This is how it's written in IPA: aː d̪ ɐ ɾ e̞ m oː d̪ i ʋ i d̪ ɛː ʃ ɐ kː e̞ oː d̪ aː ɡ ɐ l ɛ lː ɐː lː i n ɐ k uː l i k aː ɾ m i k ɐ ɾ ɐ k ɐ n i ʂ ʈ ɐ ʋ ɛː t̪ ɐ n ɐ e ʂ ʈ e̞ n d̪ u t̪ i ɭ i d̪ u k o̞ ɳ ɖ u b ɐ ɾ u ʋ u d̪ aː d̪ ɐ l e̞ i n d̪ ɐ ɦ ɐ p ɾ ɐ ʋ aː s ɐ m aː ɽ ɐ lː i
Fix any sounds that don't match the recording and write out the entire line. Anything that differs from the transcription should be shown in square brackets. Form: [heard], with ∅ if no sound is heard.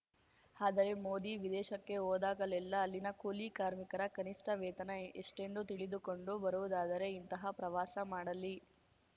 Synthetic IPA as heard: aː d̪ ɐ ɾ e̞ m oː d̪ i ʋ i d̪ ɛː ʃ ɐ kː e̞ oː d̪ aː ɡ ɐ l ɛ lː ɐː lː i n ɐ k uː l i k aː ɾ m i k ɐ ɾ ɐ k ɐ n i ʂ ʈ ɐ ʋ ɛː t̪ ɐ n ɐ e ʂ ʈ e̞ n d̪ u t̪ i ɭ i d̪ u k o̞ ɳ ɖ u b ɐ ɾ u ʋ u d̪ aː d̪ ɐ [ɾ] e̞ i n [t̪] ɐ ɦ ɐ p ɾ ɐ ʋ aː s ɐ m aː ɽ ɐ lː i